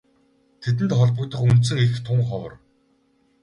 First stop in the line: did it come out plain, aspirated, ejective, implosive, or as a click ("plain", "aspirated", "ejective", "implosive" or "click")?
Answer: aspirated